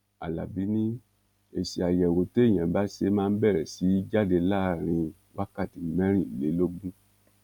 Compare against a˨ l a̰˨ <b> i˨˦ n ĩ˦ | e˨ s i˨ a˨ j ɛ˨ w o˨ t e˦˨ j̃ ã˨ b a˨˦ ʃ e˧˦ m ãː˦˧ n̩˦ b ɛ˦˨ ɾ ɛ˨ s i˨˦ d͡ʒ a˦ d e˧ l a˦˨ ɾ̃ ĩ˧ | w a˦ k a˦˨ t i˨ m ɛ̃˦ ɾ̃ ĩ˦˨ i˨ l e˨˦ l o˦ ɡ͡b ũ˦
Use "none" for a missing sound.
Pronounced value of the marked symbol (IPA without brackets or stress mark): b